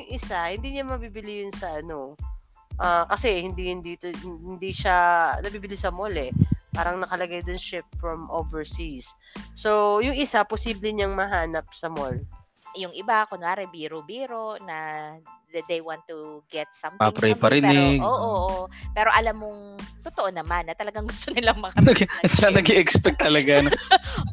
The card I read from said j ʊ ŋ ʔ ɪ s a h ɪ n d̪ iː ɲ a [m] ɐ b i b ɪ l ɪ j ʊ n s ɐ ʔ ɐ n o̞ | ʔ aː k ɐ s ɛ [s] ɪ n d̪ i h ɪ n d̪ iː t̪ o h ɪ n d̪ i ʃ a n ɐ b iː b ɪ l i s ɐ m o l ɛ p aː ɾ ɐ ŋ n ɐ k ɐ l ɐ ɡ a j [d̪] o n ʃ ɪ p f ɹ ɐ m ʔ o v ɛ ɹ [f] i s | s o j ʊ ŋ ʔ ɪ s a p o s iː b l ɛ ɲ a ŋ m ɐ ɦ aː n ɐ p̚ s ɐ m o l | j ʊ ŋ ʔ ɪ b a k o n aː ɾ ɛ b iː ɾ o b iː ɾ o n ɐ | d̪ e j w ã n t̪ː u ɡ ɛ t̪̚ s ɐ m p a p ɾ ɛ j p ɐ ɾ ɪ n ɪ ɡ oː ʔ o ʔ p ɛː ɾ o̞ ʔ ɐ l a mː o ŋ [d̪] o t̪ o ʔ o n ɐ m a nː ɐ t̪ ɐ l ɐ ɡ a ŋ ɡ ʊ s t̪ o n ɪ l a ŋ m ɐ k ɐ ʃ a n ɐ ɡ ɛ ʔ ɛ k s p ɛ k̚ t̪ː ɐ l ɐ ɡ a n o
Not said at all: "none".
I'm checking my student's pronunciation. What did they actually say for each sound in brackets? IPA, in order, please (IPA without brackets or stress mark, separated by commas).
m, h, d̪, s, t̪